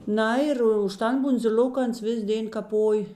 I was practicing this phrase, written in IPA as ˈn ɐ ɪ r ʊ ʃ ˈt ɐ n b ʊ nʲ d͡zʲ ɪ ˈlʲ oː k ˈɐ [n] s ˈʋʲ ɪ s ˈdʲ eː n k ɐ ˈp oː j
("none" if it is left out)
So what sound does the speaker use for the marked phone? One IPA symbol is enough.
n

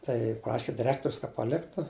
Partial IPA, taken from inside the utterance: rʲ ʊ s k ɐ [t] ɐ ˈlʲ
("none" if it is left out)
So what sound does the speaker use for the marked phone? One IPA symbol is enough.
p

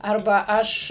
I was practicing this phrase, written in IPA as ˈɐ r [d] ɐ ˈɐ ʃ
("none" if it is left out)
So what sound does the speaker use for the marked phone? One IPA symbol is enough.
b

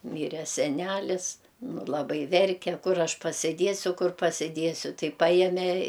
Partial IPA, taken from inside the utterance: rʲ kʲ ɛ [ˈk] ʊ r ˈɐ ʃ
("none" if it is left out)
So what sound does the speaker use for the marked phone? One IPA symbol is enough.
k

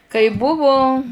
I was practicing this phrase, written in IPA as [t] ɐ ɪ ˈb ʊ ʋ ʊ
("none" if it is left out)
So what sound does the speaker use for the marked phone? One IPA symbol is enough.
k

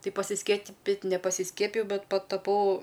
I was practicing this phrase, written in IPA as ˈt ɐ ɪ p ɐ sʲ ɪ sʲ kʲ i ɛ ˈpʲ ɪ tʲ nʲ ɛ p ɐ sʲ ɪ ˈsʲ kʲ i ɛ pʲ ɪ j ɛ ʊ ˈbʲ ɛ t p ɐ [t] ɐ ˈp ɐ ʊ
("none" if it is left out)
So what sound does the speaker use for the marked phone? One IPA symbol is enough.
t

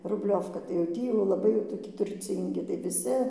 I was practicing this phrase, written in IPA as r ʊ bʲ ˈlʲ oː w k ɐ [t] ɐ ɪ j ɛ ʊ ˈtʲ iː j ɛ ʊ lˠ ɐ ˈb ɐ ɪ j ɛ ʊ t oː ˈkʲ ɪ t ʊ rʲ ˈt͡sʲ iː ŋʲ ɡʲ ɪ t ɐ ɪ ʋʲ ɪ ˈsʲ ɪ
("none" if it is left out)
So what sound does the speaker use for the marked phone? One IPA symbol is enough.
t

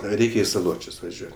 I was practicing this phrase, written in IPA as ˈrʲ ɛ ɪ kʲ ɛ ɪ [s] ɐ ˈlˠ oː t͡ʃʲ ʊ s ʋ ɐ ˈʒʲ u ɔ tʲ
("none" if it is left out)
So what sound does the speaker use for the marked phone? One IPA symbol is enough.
s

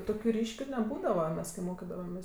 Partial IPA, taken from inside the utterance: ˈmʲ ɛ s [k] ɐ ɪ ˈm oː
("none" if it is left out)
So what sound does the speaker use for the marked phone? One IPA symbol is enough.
k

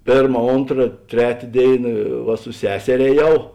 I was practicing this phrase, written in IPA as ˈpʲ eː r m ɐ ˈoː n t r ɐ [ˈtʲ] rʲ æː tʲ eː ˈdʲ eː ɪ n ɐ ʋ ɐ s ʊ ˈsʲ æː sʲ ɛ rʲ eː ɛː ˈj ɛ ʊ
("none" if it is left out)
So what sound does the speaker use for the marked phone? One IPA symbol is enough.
tʲ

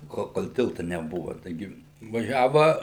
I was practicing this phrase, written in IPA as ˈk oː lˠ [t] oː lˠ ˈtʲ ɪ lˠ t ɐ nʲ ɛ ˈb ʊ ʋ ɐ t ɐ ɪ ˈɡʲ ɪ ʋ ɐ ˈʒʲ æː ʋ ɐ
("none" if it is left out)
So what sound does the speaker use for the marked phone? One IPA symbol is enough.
k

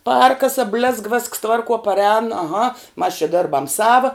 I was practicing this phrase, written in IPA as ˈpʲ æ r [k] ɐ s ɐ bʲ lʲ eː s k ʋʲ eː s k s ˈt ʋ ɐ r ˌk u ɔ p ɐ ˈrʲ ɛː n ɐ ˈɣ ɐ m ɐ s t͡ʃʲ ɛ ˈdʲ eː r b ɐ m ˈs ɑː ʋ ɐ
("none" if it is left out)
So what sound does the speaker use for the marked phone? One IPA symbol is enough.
k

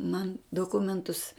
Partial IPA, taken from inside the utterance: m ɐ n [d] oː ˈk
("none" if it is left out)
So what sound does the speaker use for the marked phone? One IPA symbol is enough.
d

